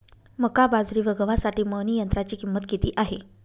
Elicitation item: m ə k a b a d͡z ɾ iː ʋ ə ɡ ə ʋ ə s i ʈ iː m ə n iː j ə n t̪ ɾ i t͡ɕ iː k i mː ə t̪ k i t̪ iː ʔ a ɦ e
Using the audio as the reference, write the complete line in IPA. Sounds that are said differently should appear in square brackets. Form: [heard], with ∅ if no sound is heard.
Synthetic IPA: m ə k a b a d͡z ɾ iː ʋ ə ɡ ə ʋ [a] s [a] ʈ iː m ə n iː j ə n t̪ ɾ [a] t͡ɕ iː k i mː ə t̪ k i t̪ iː ʔ a ɦ e